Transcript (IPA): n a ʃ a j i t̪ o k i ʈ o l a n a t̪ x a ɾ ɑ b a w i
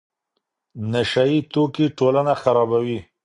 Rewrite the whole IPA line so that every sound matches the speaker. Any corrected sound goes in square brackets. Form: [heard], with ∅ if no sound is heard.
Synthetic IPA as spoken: n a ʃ a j i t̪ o k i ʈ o l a n a [∅] x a ɾ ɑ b a w i